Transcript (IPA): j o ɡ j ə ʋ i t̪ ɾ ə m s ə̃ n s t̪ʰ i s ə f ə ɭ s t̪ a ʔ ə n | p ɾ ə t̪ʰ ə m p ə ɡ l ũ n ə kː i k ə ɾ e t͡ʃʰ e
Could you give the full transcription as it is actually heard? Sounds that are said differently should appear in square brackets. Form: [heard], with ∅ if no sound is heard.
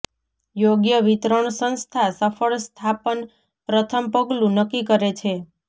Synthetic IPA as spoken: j o ɡ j ə ʋ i t̪ ɾ ə [ɳ] s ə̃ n s t̪ʰ [a] s ə f ə ɭ s [t̪ʰ] a [p] ə n | p ɾ ə t̪ʰ ə m p ə ɡ l ũ n ə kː i k ə ɾ e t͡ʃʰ e